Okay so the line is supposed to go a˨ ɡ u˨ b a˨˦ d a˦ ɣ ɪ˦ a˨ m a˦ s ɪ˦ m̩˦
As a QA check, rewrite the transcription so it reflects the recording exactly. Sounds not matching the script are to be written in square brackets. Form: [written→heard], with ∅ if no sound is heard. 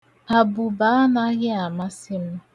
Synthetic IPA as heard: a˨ [ɡ→b] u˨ b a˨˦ [d→n] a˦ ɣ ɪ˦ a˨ m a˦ s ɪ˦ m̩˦